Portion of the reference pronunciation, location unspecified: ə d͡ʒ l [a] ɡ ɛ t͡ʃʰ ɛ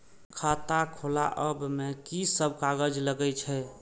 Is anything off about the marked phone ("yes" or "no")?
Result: yes